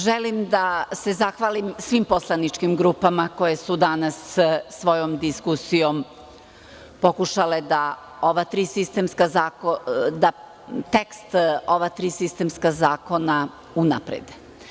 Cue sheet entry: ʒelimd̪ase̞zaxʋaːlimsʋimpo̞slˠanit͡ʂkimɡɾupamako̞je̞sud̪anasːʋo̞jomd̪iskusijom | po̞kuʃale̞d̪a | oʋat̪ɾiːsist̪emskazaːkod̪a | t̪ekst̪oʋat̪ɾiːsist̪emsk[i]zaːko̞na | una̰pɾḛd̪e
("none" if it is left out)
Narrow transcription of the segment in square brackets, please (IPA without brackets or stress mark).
a